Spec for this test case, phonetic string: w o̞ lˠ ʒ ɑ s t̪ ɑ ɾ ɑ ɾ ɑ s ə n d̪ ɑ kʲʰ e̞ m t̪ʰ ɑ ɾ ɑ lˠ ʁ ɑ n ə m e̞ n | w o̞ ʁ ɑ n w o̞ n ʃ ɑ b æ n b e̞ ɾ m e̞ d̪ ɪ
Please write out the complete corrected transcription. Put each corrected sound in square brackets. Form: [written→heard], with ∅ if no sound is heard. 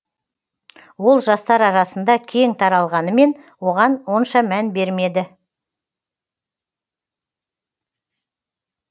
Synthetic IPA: w o̞ lˠ ʒ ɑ s t̪ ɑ ɾ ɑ ɾ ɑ s ə n d̪ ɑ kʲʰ e̞ [m→ŋ] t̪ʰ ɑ ɾ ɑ lˠ ʁ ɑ n ə m e̞ n | w o̞ ʁ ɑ n w o̞ n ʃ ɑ [b→m] æ n b e̞ ɾ m e̞ d̪ ɪ